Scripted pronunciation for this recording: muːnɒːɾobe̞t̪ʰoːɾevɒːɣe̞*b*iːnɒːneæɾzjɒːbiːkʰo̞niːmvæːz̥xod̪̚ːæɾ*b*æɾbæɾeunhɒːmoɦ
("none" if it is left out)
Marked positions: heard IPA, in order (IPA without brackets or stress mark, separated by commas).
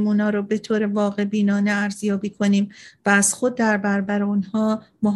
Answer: b, b